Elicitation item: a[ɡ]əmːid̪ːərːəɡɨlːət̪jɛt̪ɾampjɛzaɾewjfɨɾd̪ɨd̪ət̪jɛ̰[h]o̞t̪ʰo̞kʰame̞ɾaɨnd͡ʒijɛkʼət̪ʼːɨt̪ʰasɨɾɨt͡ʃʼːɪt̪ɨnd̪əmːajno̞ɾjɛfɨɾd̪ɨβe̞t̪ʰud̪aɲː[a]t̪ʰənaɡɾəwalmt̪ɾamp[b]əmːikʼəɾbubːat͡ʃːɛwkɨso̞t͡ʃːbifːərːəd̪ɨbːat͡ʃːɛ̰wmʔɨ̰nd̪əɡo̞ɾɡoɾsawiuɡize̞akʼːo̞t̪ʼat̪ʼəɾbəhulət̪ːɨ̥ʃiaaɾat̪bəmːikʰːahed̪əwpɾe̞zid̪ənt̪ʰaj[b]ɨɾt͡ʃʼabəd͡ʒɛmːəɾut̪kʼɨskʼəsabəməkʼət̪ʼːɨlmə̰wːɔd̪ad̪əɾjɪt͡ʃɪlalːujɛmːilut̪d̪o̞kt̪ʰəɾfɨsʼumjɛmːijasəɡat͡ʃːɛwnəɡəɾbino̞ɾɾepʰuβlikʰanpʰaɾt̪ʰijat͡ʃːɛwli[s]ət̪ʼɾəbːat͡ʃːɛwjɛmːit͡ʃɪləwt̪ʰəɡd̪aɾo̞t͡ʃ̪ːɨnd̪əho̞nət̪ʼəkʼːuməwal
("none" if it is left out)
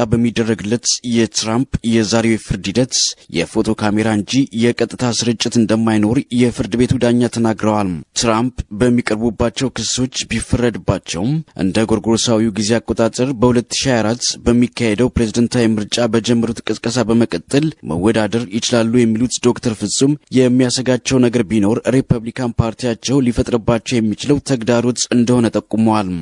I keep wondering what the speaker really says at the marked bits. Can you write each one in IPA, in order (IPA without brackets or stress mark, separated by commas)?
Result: b, f, a, b, m, f